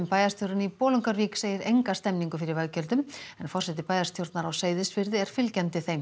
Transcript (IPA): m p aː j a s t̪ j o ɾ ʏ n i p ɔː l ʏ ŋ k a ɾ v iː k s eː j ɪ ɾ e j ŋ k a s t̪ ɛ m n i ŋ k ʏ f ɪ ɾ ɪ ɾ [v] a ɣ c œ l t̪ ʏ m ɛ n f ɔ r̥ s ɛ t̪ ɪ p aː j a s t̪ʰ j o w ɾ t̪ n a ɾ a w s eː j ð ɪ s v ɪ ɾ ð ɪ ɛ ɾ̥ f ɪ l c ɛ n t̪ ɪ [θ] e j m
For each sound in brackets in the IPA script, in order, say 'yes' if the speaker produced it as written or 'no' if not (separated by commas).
yes, yes